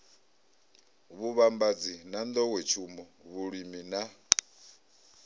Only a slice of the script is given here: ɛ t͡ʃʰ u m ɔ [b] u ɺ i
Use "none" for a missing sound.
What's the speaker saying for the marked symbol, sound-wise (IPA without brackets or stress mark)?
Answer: β